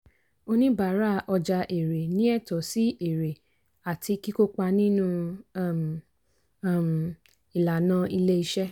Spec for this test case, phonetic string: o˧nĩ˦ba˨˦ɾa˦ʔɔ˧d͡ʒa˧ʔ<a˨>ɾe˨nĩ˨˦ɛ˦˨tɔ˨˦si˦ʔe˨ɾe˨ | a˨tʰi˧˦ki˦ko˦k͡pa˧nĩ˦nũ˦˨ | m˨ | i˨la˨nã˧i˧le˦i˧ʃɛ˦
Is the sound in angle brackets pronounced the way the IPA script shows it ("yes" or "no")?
no